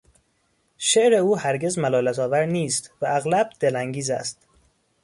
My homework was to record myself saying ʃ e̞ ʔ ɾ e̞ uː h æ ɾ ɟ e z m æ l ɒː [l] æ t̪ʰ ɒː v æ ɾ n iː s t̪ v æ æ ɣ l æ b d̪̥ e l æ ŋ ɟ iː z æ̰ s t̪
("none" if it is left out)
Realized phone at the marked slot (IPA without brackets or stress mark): l